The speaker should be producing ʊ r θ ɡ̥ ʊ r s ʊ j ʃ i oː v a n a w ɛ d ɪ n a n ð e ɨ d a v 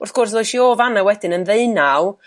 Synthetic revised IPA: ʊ r θ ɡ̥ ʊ r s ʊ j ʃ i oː v a n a w ɛ d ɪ n ə n ð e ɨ n a w